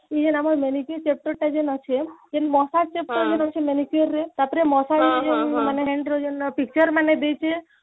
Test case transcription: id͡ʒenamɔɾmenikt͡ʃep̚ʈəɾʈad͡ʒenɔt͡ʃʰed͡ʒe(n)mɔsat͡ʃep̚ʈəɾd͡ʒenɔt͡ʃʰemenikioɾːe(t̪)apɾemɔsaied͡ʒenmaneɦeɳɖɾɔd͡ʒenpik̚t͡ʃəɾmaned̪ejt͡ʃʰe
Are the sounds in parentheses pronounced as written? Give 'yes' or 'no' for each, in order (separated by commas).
yes, yes